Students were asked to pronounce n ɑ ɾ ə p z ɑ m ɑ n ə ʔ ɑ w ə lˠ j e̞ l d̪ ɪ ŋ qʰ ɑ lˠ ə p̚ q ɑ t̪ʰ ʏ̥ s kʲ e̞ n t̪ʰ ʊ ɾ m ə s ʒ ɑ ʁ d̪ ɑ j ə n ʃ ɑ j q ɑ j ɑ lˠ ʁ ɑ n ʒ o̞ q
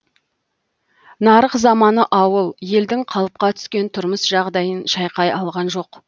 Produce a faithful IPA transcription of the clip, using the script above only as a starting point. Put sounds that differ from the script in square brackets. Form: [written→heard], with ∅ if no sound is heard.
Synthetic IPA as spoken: n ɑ ɾ ə [p→q] z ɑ m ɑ n ə ʔ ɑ w ə lˠ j e̞ l d̪ ɪ ŋ qʰ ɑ lˠ ə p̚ q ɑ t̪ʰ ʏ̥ s kʲ e̞ n t̪ʰ ʊ ɾ m ə s ʒ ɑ ʁ d̪ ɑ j ə n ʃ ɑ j q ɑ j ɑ lˠ ʁ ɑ n ʒ o̞ q